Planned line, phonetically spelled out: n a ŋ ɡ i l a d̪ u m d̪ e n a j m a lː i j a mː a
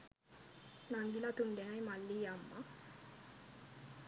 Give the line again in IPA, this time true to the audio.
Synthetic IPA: n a ŋ ɡ i l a t̪ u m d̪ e n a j m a lː i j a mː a

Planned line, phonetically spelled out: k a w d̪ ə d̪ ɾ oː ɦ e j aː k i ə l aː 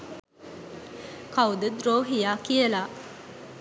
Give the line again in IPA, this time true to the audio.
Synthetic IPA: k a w d̪ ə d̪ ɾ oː ɦ i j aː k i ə l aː

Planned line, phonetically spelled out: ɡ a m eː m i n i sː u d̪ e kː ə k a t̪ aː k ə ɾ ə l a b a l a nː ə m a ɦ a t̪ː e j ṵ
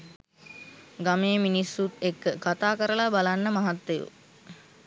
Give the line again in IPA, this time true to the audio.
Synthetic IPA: ɡ a m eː m i n i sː u t̪ e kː ə k a t̪ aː k ə ɾ ə l a b a l a nː ə m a ɦ a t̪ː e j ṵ

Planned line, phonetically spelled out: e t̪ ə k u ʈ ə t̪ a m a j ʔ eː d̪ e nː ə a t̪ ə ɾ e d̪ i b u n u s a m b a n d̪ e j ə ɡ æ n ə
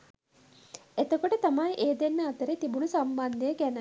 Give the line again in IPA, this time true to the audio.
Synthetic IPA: e t̪ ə k o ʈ ə t̪ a m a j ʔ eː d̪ e nː ə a t̪ ə ɾ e t̪ i b u n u s a m b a n d̪ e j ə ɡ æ n ə

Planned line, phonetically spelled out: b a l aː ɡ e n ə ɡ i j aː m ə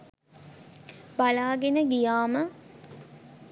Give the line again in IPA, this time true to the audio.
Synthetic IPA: b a l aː ɡ e n ə ɡ i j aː m ə

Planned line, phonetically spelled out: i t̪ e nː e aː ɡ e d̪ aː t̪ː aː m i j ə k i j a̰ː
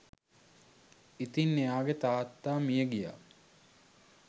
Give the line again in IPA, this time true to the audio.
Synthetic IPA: i t̪ i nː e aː ɡ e t̪ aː t̪ː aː m i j ə ɡ i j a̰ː

